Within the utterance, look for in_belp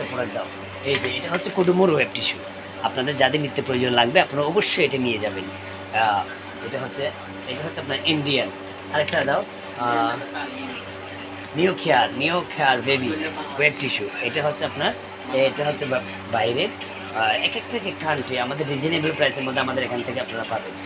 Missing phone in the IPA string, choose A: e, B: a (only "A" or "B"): A